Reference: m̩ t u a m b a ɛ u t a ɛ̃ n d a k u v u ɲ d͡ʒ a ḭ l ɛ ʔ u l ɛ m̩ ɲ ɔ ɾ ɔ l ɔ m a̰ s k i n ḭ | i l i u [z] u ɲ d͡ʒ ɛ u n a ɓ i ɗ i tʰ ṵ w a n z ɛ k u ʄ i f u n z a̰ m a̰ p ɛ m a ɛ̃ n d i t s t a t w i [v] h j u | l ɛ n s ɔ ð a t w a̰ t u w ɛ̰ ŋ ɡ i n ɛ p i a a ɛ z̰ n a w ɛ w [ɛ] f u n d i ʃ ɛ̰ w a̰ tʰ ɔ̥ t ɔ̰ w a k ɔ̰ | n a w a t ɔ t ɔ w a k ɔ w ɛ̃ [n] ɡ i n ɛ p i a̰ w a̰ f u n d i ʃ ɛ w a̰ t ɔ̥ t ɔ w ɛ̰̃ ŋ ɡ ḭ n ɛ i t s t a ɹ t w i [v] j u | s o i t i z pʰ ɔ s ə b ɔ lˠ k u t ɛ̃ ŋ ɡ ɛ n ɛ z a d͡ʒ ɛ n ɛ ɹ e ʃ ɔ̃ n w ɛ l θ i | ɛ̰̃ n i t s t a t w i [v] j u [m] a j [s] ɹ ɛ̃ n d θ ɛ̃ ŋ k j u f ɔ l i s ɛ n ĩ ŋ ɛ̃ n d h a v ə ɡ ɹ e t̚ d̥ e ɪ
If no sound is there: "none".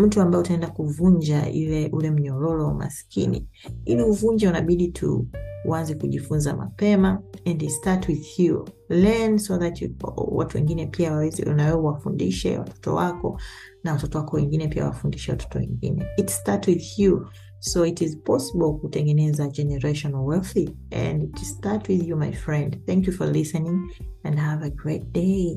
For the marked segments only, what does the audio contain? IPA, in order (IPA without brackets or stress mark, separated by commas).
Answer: v, ð, a, ŋ, ð, ð, m, f